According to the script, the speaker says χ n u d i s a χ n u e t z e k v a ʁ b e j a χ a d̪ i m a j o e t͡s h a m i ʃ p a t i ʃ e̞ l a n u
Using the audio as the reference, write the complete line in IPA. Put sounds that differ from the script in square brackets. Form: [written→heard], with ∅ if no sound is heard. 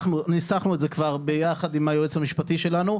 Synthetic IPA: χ n u [d→n] i s a χ n u e t z e k v a ʁ b e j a χ a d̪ i m a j o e t͡s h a m i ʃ p a t i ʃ e̞ l a n u

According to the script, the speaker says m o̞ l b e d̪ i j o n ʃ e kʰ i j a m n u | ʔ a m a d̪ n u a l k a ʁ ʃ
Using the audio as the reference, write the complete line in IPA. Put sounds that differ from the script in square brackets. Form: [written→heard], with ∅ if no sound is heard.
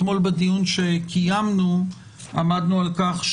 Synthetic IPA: m o̞ l b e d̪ i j [o→u] n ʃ e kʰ i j a m n u | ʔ a m a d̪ n u a l k a [ʁ→χ] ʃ

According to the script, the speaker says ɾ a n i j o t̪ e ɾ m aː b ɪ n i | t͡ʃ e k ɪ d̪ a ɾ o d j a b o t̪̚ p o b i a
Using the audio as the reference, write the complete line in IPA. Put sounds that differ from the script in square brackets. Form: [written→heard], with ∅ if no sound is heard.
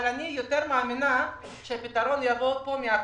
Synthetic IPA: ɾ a n i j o t̪ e ɾ m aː [b→m] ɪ n [i→a] | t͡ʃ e [k→p] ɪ [d̪→t̪] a ɾ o [d→n] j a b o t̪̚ p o [b→m] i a

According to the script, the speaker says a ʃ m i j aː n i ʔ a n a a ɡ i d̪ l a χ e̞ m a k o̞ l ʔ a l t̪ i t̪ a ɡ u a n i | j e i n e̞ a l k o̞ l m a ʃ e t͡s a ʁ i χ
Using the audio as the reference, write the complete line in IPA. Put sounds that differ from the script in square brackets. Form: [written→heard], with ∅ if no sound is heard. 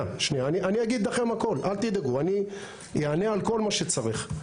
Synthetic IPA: a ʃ [m→n] i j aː n i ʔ a n [a→i] a ɡ i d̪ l a χ e̞ m a k o̞ l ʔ a l t̪ i [t̪→d̪] a ɡ u a n i | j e [i→a] n e̞ a l k o̞ l m a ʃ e t͡s a ʁ i χ

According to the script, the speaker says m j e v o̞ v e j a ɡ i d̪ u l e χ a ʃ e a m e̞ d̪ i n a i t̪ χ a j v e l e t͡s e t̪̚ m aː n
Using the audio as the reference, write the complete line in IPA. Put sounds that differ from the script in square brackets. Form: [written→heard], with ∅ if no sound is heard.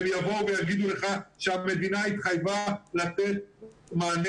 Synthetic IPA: m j [e→a] v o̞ v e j a ɡ i d̪ u l e χ a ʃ e a m e̞ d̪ i n a i t̪ χ a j v [e→a] l [e→a] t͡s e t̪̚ m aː n

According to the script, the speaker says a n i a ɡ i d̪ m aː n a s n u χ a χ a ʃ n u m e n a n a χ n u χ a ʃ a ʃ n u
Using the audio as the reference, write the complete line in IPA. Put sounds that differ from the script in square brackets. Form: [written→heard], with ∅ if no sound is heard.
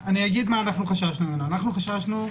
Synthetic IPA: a n i a ɡ i d̪ m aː n a [s→χ] n u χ a [χ→ʃ] a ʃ n u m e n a n a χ n u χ a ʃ a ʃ n u

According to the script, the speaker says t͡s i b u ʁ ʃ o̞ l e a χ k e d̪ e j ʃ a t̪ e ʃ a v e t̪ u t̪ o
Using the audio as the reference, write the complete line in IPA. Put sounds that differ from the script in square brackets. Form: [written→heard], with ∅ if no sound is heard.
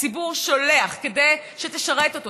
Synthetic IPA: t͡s i b u ʁ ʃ o̞ l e a χ k e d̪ e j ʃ [a→e] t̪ e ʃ a [v→ʁ] e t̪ [u→o] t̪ o

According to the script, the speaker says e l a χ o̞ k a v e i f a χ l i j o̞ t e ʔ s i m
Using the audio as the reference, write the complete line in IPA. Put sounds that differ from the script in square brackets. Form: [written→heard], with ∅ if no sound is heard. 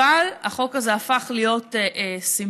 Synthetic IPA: [e→a] l a χ o̞ k a [v→z] e [i→a] f a χ l i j o̞ t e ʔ s i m

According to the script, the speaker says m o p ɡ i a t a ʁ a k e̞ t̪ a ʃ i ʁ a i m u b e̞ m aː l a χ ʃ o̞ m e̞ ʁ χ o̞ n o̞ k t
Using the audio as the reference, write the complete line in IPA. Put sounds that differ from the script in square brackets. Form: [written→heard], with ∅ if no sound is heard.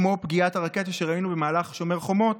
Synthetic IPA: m o p ɡ i a t a ʁ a k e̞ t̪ a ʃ [i→e] ʁ a i [m→n] u b e̞ m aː l a χ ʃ o̞ m e̞ ʁ χ o̞ [n→m] o̞ [k→∅] t

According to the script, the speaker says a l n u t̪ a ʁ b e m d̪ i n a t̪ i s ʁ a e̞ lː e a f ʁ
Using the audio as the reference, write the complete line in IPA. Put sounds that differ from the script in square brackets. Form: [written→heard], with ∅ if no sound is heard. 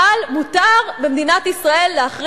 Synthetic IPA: a l [n→m] u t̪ a ʁ b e m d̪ i n a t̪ i s ʁ a e̞ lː e a [f→χ] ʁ

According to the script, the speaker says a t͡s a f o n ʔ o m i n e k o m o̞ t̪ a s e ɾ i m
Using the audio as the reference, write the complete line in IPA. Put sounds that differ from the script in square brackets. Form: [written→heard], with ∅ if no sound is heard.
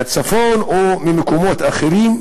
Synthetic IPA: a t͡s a f o n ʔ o m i [n→m] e k o m o̞ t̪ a [s→χ] e ɾ i m

